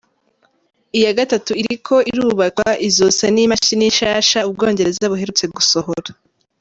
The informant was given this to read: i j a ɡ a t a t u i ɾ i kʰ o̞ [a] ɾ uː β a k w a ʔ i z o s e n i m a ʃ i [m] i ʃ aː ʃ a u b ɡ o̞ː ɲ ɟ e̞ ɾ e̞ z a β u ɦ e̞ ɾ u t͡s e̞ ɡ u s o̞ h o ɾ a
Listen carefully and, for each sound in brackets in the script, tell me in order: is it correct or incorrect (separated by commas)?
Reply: incorrect, incorrect